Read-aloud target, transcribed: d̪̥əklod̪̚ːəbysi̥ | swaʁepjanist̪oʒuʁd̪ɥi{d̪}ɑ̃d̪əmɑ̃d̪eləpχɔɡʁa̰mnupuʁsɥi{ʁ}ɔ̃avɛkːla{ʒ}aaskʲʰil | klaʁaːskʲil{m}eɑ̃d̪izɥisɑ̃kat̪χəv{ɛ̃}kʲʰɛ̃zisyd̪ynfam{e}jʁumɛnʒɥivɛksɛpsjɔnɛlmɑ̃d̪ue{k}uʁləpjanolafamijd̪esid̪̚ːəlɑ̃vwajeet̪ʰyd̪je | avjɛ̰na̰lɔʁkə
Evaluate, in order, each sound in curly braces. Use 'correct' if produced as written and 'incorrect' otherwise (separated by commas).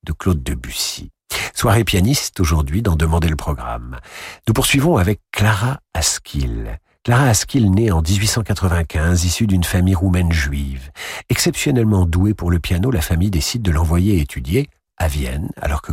correct, incorrect, incorrect, incorrect, correct, incorrect, incorrect